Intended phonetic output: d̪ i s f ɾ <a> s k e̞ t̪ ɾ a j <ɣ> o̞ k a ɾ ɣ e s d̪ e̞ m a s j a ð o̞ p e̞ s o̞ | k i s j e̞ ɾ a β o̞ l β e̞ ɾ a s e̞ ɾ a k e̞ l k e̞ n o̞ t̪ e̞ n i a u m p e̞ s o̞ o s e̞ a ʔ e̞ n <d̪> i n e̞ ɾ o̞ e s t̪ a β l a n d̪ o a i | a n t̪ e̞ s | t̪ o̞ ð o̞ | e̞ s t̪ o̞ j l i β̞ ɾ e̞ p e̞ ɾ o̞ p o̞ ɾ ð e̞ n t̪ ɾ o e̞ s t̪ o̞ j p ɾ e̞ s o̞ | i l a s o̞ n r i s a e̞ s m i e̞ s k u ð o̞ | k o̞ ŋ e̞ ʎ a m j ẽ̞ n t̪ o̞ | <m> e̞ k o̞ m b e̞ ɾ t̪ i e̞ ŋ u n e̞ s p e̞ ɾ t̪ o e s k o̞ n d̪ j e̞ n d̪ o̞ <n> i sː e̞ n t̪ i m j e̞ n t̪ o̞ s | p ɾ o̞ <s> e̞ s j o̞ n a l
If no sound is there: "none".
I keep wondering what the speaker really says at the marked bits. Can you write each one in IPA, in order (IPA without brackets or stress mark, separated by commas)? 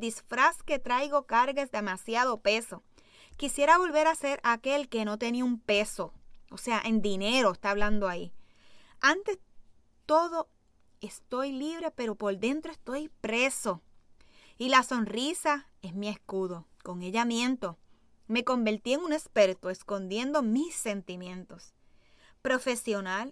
a, ɣ, d̪, m, m, f